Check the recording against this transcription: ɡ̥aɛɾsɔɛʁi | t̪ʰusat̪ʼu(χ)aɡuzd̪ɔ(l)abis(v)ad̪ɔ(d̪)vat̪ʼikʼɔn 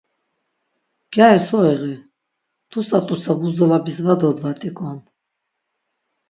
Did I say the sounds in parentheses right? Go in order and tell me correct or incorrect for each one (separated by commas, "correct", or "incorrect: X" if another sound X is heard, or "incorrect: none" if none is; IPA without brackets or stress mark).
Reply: incorrect: s, correct, correct, correct